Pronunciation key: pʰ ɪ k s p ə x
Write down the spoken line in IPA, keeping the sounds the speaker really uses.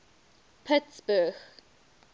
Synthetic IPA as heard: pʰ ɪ t s b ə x